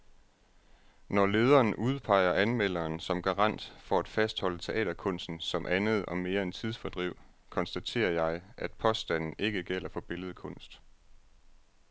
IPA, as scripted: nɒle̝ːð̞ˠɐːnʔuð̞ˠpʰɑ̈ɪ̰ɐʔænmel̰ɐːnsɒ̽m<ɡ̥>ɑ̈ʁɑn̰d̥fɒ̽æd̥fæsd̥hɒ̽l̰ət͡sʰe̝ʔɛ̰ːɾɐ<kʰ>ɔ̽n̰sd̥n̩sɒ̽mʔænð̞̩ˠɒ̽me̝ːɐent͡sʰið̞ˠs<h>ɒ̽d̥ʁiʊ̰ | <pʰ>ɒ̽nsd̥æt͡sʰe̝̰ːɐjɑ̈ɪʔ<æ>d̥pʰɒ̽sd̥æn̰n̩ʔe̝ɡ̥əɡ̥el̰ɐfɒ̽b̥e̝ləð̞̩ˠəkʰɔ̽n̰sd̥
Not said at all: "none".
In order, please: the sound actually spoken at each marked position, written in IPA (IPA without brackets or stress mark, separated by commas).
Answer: ɡ̥, kʰ, f, kʰ, æ